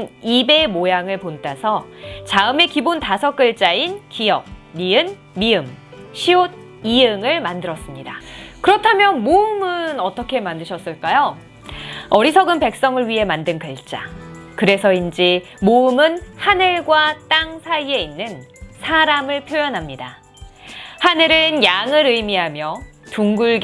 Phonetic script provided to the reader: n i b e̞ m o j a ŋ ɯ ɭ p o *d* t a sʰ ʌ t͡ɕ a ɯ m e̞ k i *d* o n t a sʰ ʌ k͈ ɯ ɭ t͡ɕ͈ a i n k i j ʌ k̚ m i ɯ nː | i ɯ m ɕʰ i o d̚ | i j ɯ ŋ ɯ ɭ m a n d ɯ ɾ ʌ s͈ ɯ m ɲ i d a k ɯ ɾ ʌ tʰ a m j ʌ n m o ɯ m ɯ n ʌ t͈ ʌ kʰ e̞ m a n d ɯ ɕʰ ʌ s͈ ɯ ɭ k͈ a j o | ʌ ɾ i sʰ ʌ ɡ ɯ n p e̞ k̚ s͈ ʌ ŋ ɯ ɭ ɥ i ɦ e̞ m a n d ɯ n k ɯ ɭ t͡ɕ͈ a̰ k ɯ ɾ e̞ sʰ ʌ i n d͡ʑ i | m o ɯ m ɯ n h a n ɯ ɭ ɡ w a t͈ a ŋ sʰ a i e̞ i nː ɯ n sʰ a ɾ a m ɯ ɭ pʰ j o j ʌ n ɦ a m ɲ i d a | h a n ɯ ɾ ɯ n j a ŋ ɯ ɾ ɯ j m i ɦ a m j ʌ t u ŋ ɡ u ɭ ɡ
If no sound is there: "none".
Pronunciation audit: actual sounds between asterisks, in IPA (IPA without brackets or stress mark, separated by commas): n, b